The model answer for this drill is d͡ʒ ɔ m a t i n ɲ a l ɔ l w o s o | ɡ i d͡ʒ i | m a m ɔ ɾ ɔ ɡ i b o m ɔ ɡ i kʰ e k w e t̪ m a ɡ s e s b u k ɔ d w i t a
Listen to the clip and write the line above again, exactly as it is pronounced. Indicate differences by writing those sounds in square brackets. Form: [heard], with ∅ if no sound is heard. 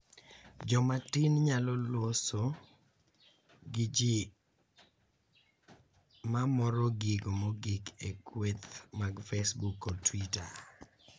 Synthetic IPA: d͡ʒ ɔ m a t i n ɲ a l ɔ l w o s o | ɡ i d͡ʒ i | m a m ɔ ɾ ɔ ɡ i [ɡ] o m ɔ ɡ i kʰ e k w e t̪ m a ɡ [f] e s b u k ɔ [t] w i t a